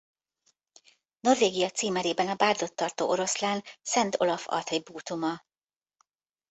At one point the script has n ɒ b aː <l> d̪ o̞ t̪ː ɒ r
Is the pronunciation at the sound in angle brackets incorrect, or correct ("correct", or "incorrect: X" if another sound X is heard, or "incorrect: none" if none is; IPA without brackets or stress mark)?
incorrect: r